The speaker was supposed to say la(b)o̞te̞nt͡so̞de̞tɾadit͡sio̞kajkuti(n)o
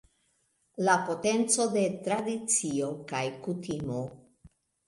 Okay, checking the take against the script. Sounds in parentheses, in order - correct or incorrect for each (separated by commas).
incorrect, incorrect